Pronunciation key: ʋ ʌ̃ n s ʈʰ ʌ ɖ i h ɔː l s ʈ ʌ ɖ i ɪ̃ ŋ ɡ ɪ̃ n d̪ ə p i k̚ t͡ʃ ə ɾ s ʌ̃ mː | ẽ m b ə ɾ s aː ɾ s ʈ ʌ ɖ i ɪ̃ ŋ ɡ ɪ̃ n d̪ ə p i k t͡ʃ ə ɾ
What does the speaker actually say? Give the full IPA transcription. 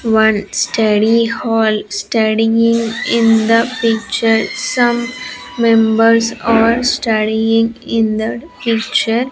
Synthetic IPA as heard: ʋ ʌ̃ n s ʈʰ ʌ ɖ i h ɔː l s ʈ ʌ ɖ i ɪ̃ ŋ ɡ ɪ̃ n d̪ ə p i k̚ t͡ʃ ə ɾ s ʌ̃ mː | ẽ m b ə ɾ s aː ɾ s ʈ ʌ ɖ i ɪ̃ ŋ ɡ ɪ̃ n d̪ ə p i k t͡ʃ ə ɾ